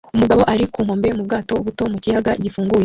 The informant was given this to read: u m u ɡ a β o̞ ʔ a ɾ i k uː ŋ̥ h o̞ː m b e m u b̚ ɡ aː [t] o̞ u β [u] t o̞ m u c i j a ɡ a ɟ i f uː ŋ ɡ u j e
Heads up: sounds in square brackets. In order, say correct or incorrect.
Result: correct, correct

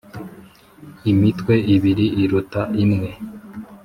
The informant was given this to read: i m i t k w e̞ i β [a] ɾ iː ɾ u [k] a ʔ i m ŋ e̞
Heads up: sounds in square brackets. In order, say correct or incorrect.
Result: incorrect: i, incorrect: t

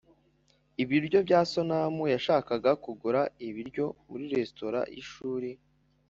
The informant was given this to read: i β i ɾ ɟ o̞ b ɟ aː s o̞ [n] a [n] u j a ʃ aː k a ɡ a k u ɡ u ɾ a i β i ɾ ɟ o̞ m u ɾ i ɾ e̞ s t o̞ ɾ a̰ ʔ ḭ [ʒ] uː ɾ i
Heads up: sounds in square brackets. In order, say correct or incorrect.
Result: correct, incorrect: m, incorrect: ʃ

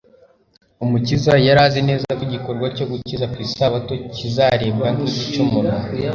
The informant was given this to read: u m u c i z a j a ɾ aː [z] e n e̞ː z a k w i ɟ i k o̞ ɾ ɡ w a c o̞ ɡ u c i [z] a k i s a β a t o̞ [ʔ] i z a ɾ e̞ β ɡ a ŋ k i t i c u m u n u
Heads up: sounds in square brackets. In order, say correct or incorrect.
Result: correct, correct, incorrect: c

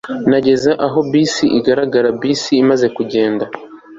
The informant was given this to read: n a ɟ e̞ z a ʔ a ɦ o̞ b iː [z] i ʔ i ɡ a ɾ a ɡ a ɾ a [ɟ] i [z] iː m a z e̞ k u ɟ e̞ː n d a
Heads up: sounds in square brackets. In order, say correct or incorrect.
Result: incorrect: s, incorrect: b, incorrect: s

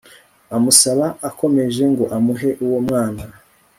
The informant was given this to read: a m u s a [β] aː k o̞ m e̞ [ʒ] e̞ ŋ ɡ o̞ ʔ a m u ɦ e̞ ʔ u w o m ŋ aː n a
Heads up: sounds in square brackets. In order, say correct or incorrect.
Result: correct, correct

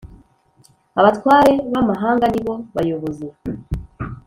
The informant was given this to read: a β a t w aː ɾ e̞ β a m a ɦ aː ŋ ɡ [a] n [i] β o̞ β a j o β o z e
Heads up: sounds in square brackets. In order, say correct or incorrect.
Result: correct, correct

